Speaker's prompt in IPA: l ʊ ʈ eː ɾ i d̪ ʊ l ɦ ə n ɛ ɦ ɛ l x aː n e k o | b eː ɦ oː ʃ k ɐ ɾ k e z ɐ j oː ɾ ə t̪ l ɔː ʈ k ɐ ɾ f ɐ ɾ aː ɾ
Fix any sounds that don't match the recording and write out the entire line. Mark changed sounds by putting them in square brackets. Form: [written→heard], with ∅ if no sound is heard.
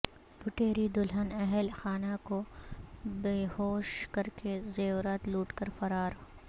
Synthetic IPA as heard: l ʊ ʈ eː ɾ i d̪ ʊ l ɦ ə n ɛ ɦ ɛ l x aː n [e→a] k o | b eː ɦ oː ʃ k ɐ ɾ k e z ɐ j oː ɾ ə t̪ l [ɔː→uː] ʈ k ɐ ɾ f ɐ ɾ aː ɾ